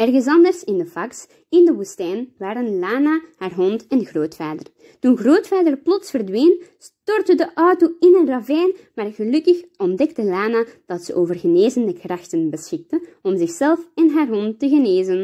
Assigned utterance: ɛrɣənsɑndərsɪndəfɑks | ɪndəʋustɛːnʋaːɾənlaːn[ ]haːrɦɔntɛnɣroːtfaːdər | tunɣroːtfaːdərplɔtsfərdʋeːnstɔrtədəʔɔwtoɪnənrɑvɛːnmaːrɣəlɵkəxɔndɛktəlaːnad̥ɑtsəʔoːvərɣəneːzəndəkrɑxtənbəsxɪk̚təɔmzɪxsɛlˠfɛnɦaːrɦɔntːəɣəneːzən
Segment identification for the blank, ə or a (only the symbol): a